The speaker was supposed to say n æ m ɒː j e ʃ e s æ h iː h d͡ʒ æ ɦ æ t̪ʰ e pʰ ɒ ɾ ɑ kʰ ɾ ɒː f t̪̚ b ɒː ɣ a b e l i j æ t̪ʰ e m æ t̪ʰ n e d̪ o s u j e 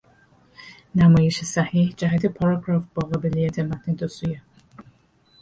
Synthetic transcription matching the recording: n æ m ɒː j e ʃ e s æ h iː h d͡ʒ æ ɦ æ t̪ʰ e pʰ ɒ ɾ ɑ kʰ ɾ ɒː f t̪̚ b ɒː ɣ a b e l i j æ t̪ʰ e m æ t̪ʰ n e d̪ o s u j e

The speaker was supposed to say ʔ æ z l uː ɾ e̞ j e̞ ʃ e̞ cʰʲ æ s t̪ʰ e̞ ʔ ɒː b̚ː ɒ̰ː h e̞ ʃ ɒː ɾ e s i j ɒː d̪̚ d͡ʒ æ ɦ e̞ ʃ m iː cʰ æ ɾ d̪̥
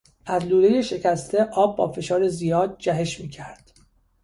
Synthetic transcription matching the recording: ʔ æ z l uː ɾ e̞ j e̞ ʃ e̞ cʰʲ æ s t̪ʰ e̞ ʔ ɒː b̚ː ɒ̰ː f e̞ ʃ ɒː ɾ e z i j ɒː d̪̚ d͡ʒ æ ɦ e̞ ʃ m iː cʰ æ ɾ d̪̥

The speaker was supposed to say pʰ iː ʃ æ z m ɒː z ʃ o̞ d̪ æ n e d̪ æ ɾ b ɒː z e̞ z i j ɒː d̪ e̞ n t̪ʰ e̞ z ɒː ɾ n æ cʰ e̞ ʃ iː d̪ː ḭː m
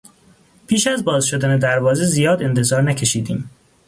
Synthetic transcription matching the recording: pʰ iː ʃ æ z b ɒː z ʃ o̞ d̪ æ n e d̪ æ ɾ v ɒː z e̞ z i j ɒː d̪ e̞ n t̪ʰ e̞ z ɒː ɾ n æ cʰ e̞ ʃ iː d̪ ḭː m

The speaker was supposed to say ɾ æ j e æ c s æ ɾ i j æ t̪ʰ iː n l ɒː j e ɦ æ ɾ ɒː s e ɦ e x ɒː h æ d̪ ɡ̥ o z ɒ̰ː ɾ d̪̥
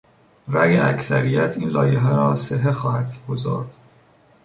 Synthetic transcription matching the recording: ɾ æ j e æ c s æ ɾ i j æ t̪ʰ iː n l ɒː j e ɦ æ ɾ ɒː s e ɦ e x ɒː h æ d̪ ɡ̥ o z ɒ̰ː ɾ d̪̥

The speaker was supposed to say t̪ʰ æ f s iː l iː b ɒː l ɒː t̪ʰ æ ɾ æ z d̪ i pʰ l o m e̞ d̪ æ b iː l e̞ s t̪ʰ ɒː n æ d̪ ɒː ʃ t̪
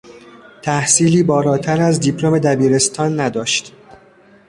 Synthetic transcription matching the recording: t̪ʰ æ h s iː l iː b ɒː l ɒː t̪ʰ æ ɾ æ z d̪ i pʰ l o m e̞ d̪ æ b iː ɾ e̞ s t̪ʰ ɒː nː æ d̪ ɒː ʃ t̪

